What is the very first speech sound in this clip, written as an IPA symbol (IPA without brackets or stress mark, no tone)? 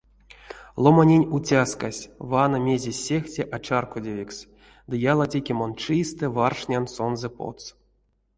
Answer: lˠ